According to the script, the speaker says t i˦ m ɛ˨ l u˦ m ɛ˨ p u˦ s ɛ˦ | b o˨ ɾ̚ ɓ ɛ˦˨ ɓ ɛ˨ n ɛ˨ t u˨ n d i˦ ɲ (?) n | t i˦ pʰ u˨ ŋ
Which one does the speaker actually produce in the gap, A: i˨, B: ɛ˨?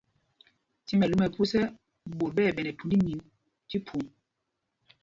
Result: A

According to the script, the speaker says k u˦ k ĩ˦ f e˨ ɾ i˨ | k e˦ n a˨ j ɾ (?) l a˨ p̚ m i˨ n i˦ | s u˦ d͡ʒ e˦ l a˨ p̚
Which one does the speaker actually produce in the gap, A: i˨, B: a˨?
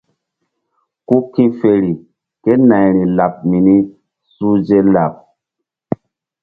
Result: A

